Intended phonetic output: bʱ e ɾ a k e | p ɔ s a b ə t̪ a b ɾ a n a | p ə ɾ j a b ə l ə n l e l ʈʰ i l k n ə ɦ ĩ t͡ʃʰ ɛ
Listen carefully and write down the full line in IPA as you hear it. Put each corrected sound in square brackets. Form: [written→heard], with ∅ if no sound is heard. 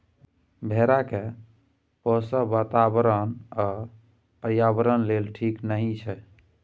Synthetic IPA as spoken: bʱ e ɾ a k e | p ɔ s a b [ə→a] t̪ a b ɾ [a→ə] n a | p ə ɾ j a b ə [l→ɾ] ə n l e l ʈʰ i [l→∅] k n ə ɦ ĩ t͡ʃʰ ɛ